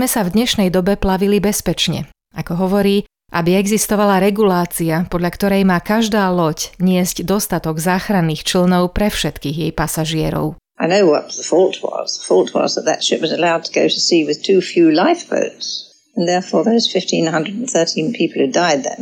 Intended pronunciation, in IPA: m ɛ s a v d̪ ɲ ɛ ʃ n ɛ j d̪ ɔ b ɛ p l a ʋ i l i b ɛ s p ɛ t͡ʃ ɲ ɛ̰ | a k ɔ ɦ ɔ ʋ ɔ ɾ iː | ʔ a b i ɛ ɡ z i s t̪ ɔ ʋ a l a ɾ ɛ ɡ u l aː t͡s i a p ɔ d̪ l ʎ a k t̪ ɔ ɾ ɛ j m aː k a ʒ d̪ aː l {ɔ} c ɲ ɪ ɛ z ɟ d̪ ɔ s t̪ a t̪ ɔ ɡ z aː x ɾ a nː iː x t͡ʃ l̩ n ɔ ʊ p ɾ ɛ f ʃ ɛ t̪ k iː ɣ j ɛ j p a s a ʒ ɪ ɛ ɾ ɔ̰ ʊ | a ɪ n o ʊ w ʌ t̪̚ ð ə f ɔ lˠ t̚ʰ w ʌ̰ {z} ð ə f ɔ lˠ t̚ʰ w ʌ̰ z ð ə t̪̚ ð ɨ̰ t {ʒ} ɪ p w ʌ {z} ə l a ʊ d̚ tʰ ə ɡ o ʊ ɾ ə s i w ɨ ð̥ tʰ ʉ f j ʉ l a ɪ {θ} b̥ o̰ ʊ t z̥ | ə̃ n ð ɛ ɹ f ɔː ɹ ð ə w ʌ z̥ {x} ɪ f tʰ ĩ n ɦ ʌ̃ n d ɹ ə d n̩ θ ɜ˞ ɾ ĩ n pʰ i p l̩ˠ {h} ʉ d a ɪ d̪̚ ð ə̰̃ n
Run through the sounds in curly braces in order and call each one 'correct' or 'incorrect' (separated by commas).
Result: correct, correct, incorrect, correct, incorrect, incorrect, correct